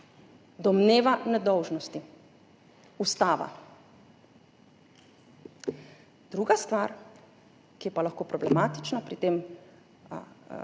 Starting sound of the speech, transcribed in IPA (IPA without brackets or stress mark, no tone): d̪